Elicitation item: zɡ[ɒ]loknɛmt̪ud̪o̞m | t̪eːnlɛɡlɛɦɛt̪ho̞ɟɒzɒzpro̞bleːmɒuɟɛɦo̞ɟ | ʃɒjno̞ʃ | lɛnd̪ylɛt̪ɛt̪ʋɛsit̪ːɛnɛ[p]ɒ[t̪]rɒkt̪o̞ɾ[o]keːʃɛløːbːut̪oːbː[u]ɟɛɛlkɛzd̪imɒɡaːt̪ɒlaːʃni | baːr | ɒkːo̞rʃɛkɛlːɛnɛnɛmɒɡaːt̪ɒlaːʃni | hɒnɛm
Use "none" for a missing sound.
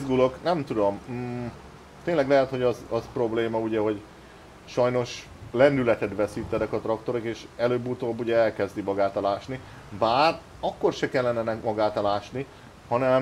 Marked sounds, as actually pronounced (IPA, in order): u, k, t̪, o, u

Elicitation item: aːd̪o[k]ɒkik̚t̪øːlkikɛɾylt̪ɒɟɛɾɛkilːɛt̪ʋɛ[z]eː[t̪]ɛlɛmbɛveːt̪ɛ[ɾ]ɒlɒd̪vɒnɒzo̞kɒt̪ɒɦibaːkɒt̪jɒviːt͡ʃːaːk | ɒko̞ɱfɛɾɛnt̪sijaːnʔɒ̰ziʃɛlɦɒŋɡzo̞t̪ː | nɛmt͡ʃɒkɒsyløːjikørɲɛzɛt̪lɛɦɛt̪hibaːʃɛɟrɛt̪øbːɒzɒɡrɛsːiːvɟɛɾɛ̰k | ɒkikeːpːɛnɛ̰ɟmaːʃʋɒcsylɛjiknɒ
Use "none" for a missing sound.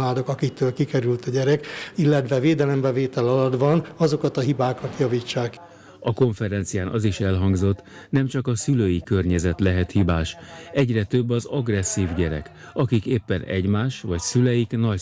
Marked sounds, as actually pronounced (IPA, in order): k, v, d̪, l

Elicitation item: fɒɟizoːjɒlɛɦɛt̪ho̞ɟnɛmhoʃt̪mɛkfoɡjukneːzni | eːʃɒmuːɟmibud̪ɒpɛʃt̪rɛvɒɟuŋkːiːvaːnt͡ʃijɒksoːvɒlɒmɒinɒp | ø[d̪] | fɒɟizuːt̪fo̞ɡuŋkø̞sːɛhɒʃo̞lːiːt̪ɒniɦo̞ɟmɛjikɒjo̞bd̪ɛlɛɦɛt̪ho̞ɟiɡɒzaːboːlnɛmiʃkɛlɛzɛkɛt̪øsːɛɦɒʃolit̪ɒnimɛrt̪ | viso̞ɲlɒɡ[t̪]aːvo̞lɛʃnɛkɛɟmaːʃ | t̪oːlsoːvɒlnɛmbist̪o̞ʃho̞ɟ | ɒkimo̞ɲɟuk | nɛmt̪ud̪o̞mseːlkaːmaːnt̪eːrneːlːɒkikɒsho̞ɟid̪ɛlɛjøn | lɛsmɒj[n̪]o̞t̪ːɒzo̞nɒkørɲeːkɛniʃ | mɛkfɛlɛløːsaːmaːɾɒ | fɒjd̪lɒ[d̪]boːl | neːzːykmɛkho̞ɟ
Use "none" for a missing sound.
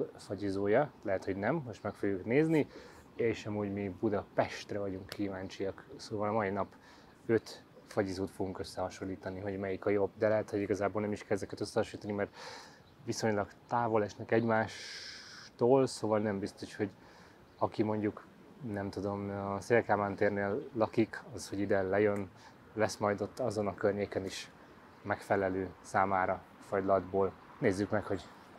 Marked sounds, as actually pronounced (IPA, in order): t̪, t̪, d̪, d̪

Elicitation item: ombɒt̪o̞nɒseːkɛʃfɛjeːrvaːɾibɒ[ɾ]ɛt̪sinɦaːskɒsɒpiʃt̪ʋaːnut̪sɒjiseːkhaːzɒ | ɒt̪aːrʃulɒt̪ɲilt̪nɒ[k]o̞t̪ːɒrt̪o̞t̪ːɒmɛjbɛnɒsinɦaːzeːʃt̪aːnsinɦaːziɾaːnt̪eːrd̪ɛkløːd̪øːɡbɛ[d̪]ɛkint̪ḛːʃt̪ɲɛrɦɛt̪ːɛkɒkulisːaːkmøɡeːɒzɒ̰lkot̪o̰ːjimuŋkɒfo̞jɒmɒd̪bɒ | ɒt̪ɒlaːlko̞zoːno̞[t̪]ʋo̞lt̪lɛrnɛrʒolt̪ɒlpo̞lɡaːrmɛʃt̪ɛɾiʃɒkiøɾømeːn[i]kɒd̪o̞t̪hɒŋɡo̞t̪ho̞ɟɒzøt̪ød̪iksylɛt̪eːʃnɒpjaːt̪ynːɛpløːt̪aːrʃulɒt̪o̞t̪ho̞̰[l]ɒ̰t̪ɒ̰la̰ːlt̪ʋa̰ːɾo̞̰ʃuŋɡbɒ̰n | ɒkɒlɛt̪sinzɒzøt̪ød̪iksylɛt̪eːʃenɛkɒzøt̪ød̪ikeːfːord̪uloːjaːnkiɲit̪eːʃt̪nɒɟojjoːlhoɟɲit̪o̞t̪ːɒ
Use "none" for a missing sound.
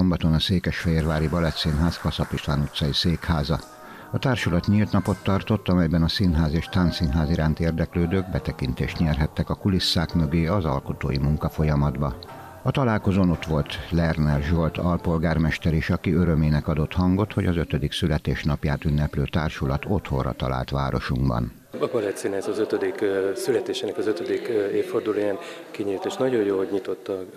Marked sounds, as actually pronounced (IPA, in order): l, p, t̪, t̪, ɛ, r

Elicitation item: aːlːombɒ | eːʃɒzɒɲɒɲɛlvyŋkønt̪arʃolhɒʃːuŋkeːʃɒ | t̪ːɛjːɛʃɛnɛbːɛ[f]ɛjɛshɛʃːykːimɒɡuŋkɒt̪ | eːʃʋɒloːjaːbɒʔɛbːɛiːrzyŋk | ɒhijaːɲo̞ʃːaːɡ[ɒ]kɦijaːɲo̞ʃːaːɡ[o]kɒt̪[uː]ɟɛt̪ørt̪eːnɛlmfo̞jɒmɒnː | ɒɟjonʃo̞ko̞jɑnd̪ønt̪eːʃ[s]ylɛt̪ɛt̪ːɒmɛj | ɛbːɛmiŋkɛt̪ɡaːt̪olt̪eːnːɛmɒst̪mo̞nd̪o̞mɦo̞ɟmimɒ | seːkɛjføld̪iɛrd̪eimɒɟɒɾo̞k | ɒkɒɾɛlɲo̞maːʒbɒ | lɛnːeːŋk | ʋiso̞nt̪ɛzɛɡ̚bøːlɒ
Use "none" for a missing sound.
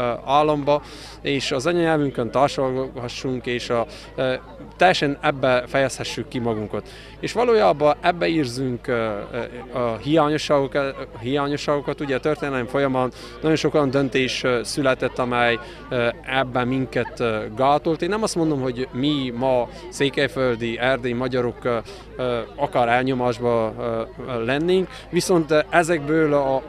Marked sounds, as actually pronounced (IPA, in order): f, o, o, u, s

